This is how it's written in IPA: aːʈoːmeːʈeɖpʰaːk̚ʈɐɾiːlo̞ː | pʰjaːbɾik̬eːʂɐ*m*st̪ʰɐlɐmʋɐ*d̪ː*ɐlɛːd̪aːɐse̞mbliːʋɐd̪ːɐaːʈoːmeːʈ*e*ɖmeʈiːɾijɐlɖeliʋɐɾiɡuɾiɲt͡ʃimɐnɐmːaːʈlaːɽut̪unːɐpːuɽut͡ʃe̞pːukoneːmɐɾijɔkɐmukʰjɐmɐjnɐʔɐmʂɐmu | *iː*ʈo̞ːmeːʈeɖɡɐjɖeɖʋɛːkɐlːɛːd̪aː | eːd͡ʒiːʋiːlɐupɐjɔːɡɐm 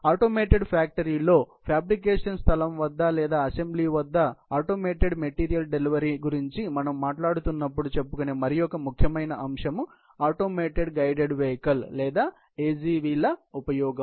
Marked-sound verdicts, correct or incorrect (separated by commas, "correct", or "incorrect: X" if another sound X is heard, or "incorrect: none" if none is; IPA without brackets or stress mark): incorrect: n, correct, correct, incorrect: aː